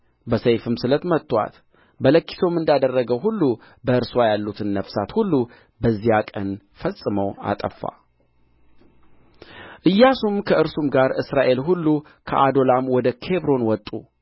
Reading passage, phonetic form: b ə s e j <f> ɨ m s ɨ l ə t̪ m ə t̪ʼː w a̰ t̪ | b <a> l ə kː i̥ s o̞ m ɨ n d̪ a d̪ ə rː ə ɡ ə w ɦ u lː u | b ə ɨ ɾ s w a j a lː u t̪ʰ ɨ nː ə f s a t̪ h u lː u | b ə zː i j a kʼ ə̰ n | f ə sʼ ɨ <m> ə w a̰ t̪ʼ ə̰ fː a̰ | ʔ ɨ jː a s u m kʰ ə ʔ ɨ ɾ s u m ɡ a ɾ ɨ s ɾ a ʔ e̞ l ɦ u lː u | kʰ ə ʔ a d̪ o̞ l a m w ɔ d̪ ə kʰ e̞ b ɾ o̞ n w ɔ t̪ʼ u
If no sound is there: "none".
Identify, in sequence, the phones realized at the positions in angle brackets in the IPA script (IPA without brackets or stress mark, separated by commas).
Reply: f, ə, m